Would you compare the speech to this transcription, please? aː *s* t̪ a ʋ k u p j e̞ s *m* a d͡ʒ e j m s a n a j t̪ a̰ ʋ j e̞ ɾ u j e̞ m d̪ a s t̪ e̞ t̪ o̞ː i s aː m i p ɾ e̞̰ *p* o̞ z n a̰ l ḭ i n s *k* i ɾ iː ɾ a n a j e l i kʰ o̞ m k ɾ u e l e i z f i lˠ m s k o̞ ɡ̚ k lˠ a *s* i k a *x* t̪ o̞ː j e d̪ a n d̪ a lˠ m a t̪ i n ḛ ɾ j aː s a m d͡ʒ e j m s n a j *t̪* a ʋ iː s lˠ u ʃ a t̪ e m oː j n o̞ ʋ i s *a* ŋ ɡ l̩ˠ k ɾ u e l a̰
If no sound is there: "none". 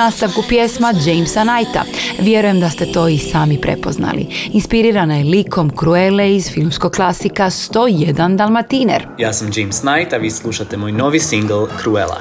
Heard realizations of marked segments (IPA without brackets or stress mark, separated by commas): s, m, p, p, s, s, t̪, i